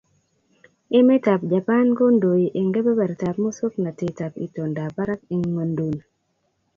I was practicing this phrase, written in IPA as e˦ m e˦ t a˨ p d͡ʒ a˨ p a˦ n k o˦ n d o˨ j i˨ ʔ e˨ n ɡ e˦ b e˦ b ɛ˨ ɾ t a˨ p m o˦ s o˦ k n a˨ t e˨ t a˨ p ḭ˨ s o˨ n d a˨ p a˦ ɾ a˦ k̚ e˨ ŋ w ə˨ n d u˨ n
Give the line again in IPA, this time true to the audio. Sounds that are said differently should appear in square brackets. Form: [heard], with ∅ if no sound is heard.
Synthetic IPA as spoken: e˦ m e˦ t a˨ p d͡ʒ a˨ p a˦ n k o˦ n d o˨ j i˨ ʔ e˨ [ŋ] ɡ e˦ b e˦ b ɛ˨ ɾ t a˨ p m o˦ s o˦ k n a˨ t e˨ t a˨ p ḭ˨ [t] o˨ n d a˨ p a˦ ɾ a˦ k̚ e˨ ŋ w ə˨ n d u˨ n